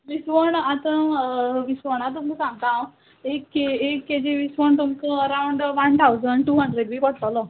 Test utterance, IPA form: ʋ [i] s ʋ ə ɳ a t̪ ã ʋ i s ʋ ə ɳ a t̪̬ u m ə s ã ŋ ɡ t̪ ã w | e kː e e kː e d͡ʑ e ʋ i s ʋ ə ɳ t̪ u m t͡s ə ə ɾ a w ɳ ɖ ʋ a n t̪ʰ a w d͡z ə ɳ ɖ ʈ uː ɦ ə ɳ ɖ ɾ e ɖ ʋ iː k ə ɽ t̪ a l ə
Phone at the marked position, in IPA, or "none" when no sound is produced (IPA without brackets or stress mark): i